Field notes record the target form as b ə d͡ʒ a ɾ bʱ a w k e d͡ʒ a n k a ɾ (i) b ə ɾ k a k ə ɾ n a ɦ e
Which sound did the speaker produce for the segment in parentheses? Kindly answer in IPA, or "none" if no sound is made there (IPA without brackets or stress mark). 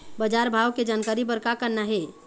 i